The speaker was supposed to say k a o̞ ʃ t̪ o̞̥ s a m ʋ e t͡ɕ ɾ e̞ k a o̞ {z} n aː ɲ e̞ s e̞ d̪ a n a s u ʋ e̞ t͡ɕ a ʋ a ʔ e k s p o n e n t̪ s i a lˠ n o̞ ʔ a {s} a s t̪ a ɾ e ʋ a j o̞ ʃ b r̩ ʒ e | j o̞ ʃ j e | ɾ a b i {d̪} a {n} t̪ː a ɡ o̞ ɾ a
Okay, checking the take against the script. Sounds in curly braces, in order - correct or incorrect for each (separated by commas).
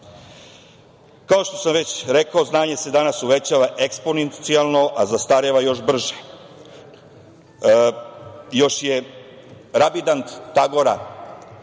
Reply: correct, incorrect, correct, correct